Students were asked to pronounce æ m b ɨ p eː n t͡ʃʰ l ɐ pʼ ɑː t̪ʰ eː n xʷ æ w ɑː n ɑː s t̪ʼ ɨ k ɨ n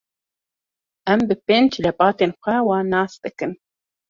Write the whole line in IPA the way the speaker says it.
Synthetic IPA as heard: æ m b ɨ p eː n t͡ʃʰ l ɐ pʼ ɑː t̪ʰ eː n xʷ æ w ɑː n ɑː s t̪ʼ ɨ k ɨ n